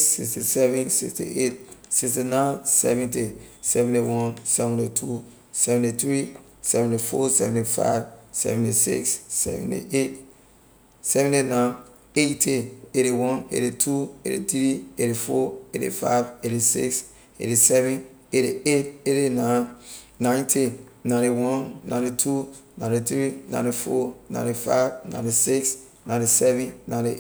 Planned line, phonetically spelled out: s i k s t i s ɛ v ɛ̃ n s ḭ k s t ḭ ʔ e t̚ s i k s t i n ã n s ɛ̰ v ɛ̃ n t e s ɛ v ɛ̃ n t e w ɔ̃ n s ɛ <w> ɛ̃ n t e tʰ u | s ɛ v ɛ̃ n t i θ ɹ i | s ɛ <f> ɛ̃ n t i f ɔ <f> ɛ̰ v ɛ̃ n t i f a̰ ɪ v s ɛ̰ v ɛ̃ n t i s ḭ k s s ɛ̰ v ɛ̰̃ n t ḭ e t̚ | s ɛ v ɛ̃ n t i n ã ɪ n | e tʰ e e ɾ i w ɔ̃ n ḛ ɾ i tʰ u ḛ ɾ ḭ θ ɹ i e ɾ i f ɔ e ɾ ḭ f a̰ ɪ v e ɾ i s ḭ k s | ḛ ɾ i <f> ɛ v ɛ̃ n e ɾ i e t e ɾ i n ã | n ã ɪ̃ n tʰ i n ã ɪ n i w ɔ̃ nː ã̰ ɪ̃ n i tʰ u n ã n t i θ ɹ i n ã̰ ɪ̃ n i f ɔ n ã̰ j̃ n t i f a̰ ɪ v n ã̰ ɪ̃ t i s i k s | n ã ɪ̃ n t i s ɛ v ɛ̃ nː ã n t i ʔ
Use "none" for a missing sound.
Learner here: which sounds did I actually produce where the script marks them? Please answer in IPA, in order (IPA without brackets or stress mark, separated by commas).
v, v, s, s